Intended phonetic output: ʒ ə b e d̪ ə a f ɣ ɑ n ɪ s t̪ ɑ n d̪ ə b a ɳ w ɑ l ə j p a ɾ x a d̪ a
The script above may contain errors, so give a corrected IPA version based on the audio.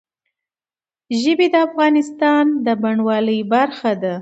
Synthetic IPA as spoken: ʒ ə b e d̪ ə a f ɣ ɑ n ɪ s t̪ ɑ n d̪ ə b a ɳ w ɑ l ə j b a ɾ x a d̪ a